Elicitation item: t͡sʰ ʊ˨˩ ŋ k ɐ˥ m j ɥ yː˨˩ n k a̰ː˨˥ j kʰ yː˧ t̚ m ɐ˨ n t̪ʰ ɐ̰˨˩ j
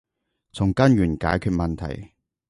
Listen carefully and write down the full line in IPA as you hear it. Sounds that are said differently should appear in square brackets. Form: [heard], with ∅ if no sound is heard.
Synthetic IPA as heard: t͡sʰ ʊ˨˩ ŋ k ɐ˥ [n] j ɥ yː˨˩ n k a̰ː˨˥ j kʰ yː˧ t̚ m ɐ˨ n t̪ʰ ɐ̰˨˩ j